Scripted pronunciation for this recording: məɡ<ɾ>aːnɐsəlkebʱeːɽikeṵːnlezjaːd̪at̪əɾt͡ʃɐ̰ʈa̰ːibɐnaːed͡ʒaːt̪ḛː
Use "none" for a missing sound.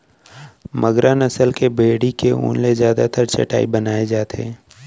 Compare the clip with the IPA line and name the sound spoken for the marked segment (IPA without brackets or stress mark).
ɾ